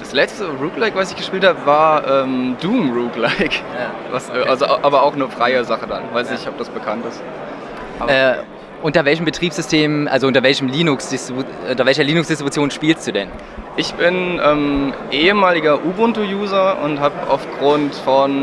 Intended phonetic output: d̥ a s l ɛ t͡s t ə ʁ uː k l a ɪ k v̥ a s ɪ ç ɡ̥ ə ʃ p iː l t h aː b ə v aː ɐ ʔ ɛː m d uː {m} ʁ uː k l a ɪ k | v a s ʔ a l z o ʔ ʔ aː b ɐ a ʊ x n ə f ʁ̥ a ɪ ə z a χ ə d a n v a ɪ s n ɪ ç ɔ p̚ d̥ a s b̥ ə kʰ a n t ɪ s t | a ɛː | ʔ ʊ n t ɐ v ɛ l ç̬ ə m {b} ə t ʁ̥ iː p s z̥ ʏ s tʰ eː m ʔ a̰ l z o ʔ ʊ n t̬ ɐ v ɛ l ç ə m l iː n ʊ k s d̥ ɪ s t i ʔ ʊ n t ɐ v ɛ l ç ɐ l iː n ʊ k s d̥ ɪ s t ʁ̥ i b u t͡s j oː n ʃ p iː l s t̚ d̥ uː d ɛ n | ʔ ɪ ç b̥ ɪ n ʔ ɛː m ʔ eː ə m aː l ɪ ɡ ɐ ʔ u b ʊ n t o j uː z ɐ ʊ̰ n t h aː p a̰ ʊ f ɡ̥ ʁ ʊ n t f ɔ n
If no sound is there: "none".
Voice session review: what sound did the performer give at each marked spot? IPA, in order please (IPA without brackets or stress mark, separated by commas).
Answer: m, b